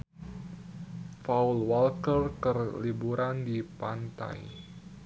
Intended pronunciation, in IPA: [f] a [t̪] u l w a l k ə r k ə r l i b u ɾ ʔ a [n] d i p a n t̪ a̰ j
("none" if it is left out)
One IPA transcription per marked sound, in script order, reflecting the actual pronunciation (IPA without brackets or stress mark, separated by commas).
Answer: f, none, n